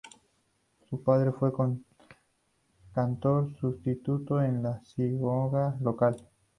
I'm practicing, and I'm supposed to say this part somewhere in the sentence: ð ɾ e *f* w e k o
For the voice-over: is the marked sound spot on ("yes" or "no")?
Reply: yes